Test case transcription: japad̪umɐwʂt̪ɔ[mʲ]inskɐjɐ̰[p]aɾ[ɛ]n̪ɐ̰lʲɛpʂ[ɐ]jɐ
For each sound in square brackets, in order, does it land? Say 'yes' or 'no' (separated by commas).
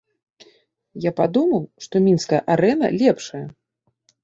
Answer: yes, no, yes, yes